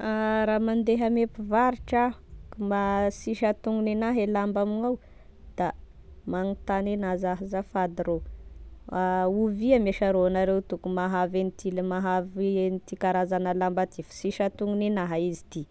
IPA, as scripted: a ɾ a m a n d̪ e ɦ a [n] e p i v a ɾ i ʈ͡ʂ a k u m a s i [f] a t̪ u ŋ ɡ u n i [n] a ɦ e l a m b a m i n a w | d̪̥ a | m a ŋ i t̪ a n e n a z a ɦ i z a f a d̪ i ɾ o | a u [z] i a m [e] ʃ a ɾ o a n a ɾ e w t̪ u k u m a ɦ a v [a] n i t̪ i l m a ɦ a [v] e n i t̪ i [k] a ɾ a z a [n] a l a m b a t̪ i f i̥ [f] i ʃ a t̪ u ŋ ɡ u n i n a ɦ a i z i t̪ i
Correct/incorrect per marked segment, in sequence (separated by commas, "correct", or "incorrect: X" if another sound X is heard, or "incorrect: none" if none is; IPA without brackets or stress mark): incorrect: m, incorrect: ʃ, correct, incorrect: v, correct, incorrect: e, correct, correct, correct, incorrect: s